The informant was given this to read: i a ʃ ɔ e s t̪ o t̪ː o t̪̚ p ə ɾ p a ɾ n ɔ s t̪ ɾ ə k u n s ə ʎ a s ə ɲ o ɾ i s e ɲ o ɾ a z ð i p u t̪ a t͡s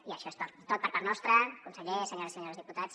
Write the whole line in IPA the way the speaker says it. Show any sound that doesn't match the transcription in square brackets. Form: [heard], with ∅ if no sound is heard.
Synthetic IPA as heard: i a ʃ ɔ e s t̪ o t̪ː o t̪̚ p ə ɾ p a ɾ n ɔ s t̪ ɾ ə k u n s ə ʎ [e] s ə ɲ o ɾ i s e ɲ o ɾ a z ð i p u t̪ a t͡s